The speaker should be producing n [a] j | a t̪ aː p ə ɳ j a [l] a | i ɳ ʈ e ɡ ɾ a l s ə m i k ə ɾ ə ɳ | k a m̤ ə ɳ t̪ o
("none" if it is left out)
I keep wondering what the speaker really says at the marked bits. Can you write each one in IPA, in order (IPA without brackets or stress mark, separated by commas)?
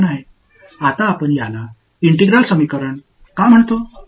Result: a, l